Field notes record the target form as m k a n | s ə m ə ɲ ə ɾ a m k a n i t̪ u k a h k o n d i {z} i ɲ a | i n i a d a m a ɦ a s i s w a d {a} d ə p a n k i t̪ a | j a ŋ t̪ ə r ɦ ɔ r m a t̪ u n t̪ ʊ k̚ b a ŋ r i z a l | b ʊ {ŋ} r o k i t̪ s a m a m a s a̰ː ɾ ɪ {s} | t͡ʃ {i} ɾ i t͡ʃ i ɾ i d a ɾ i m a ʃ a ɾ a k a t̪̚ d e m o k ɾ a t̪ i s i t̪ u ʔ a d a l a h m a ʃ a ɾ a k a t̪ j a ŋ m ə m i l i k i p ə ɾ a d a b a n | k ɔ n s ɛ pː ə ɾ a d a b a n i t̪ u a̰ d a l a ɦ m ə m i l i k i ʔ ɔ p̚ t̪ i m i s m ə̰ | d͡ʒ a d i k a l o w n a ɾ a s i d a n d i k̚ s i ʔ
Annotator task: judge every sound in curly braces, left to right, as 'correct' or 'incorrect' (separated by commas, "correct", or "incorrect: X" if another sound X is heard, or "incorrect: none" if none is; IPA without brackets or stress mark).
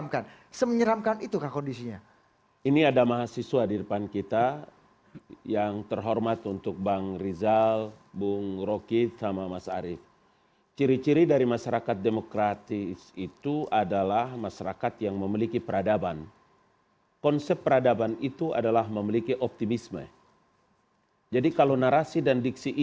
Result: incorrect: s, incorrect: i, correct, incorrect: f, correct